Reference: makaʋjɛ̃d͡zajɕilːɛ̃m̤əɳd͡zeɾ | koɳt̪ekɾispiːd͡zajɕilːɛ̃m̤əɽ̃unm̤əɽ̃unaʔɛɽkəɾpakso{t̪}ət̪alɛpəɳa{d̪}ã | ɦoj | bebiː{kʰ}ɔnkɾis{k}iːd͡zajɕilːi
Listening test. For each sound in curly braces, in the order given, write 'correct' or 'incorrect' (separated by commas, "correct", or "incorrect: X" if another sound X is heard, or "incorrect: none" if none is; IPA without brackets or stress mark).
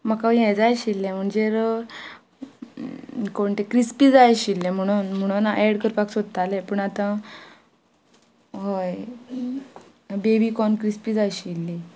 incorrect: d̪, incorrect: t̪, incorrect: k, incorrect: p